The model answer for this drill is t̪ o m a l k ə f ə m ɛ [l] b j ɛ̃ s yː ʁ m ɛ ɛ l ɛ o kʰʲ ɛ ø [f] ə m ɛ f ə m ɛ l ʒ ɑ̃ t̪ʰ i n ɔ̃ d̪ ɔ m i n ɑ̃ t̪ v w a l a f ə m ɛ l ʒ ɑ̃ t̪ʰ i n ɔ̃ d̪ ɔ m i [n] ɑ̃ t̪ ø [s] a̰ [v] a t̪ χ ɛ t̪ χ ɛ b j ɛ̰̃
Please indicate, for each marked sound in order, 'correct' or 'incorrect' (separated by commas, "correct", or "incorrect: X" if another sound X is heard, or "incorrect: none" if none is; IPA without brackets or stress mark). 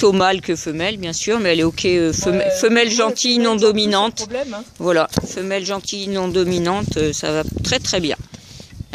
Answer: correct, correct, correct, correct, correct